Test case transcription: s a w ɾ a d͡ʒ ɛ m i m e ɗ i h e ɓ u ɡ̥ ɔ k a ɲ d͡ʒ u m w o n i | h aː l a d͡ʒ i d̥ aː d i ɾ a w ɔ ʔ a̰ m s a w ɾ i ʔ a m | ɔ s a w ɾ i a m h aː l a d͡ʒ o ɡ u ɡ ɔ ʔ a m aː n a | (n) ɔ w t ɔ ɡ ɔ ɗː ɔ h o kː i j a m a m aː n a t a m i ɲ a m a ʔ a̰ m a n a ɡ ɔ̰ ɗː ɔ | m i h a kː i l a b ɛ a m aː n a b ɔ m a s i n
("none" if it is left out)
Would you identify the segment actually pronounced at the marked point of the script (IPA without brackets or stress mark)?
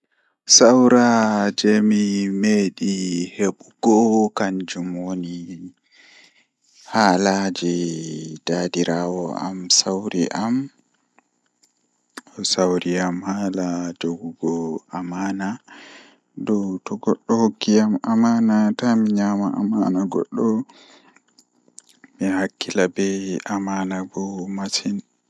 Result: d